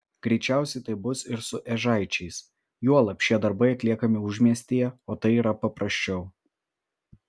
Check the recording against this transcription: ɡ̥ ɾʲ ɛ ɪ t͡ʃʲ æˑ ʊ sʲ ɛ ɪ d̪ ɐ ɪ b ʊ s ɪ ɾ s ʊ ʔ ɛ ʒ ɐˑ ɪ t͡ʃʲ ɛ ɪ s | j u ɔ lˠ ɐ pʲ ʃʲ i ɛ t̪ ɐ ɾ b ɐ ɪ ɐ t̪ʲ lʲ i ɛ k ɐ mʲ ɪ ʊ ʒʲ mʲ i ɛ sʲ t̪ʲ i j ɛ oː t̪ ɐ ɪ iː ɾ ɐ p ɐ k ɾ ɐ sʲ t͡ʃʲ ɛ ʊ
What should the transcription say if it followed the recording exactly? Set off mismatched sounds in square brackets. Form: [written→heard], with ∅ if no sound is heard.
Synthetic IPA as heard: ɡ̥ ɾʲ ɛ ɪ t͡ʃʲ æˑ ʊ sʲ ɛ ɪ [d̪→t̪] ɐ ɪ b ʊ s ɪ ɾ s ʊ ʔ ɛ ʒ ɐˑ ɪ t͡ʃʲ ɛ ɪ s | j u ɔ lˠ ɐ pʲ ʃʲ i ɛ [t̪→d̪] ɐ ɾ b ɐ ɪ ɐ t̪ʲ lʲ i ɛ k ɐ mʲ ɪ ʊ ʒʲ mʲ i ɛ sʲ t̪ʲ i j ɛ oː t̪ ɐ ɪ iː ɾ ɐ p ɐ [k→p] ɾ ɐ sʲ t͡ʃʲ ɛ ʊ